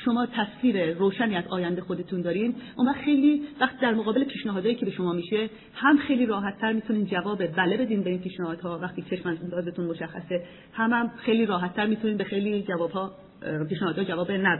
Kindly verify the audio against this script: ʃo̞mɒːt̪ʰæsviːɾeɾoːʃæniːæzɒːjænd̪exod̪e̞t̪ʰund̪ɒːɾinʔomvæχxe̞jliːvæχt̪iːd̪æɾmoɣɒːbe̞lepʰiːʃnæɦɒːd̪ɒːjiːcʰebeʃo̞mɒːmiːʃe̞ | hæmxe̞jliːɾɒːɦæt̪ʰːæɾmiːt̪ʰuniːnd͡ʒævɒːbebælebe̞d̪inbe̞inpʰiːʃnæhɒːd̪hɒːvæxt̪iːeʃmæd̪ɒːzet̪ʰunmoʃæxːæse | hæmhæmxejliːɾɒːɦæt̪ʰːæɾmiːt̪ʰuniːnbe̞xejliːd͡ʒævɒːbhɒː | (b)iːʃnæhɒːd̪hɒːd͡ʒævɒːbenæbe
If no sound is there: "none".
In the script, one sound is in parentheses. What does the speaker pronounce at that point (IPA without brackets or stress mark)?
p